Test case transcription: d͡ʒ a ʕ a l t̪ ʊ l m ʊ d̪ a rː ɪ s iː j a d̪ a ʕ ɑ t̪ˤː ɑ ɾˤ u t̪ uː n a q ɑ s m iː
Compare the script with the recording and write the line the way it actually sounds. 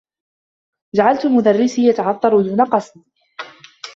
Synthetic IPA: d͡ʒ a ʕ a l t̪ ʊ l m ʊ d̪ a rː ɪ s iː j a t̪ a ʕ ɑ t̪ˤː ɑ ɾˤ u d̪ uː n a q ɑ s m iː